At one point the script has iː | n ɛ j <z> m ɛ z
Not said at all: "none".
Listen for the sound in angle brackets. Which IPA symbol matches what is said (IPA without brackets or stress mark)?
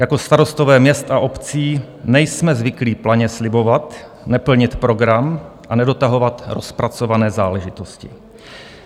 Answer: s